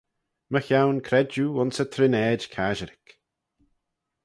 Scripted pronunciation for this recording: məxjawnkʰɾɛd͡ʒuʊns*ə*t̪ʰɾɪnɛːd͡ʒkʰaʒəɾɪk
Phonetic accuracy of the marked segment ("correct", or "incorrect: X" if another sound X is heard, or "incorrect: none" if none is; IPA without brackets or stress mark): correct